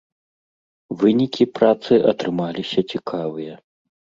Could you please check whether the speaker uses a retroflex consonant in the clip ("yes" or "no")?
no